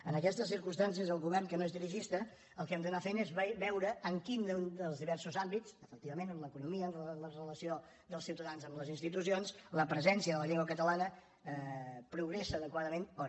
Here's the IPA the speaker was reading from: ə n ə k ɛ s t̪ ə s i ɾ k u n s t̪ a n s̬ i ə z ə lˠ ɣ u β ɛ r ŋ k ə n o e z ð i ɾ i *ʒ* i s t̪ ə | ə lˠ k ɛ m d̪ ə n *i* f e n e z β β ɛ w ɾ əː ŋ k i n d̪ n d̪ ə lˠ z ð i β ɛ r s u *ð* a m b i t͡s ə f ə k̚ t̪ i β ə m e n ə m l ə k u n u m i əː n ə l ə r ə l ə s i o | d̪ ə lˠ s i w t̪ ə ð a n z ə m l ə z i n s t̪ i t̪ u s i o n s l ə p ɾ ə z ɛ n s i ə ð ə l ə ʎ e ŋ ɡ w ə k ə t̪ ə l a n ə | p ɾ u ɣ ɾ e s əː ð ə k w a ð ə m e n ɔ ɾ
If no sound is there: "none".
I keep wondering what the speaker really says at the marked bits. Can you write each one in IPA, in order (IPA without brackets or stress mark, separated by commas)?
ʒ, a, z